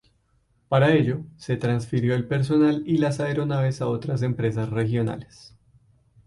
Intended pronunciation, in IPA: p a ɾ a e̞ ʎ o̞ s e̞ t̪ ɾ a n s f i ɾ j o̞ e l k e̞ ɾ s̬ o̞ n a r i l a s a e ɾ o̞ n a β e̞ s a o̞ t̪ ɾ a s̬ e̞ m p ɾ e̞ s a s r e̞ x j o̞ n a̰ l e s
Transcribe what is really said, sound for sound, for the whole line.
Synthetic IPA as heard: p a ɾ a e̞ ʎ o̞ s e̞ t̪ ɾ a n s f i ɾ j o̞ e l p e̞ ɾ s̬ o̞ n a l i l a s a e ɾ o̞ n a β e̞ s a o̞ t̪ ɾ a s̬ e̞ m p ɾ e̞ s a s r e̞ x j o̞ n a̰ l e s